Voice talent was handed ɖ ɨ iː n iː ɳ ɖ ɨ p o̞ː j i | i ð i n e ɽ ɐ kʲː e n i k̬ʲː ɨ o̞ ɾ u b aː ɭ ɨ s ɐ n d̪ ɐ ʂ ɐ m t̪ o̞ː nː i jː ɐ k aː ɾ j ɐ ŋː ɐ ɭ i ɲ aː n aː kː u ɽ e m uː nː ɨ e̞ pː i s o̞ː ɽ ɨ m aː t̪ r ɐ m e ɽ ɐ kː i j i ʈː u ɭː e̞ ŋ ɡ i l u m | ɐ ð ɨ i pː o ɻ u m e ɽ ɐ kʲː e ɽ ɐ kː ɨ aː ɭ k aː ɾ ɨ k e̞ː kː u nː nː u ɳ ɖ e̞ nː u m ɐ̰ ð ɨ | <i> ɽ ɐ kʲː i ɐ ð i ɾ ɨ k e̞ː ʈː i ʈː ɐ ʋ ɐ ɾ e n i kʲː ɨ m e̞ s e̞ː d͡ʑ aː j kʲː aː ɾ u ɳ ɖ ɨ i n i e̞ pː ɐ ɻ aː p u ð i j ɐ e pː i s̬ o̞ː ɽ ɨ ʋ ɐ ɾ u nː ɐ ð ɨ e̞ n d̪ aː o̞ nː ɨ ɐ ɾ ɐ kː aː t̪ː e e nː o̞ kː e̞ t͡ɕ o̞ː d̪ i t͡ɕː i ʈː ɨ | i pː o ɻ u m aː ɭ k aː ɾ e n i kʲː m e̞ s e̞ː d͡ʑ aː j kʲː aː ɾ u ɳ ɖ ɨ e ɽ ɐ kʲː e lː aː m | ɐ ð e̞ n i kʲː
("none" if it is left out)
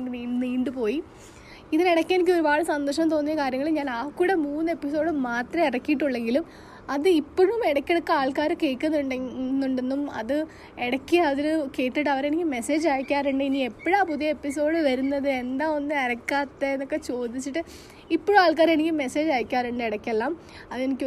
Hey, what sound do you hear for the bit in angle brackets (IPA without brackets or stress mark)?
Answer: e